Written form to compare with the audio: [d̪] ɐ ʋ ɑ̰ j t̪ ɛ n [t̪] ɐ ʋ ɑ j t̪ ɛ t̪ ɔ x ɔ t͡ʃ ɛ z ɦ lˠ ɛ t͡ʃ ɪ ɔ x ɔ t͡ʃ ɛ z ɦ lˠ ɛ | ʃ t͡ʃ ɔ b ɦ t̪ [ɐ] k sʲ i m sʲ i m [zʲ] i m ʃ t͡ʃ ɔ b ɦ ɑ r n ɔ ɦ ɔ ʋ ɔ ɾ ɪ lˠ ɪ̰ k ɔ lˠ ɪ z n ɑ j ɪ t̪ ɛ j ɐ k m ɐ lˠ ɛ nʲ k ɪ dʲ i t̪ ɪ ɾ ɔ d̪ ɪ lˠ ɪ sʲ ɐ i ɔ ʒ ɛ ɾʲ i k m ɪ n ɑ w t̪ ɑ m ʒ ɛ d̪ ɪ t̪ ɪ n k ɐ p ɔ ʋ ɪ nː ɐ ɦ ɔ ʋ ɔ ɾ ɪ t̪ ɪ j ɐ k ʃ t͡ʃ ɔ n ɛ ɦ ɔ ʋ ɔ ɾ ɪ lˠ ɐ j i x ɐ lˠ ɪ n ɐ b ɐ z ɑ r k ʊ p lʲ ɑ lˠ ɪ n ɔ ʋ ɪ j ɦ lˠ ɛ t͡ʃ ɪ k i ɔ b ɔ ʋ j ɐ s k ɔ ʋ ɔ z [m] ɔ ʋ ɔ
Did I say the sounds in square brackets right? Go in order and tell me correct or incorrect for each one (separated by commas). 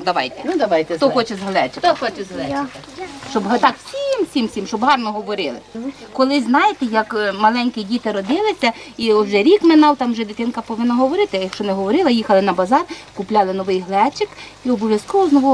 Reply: correct, incorrect, incorrect, incorrect, incorrect